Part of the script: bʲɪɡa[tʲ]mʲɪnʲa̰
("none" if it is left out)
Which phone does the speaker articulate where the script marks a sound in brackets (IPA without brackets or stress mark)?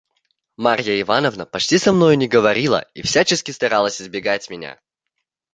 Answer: tʲ